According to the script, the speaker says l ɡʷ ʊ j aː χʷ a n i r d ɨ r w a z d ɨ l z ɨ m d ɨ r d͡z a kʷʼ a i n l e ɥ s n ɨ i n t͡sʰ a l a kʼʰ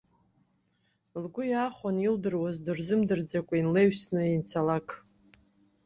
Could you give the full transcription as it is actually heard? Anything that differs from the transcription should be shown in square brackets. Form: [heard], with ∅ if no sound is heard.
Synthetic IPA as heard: l ɡʷ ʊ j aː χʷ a n i [l] d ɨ r w a z d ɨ [r] z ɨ m d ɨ r d͡z a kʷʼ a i n l e ɥ s n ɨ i n t͡sʰ a l a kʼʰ